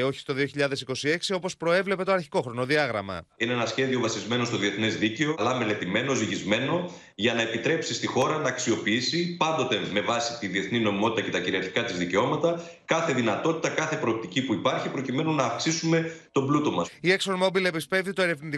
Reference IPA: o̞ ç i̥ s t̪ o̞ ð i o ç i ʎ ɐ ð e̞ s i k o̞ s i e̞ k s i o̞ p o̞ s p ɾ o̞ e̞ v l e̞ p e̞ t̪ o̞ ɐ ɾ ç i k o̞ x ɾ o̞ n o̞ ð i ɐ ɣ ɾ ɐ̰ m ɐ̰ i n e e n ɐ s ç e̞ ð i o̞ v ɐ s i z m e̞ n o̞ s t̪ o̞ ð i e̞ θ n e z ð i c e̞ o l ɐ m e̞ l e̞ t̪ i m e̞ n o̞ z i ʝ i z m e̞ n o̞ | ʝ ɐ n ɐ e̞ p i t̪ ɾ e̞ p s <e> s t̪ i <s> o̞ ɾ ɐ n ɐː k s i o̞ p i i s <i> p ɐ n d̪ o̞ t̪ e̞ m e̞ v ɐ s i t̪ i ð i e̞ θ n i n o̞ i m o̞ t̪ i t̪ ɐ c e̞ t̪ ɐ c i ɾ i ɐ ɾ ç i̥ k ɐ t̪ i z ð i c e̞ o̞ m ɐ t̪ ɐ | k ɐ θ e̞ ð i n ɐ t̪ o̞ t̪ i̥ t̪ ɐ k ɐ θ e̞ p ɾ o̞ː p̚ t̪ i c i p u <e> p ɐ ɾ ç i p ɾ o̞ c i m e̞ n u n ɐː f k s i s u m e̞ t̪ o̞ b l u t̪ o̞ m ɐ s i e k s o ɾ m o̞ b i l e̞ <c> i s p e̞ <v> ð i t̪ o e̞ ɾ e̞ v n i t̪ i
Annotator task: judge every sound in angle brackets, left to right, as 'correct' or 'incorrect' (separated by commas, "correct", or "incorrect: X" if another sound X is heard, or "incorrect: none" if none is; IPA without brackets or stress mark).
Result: incorrect: i, incorrect: x, correct, incorrect: i, incorrect: p, correct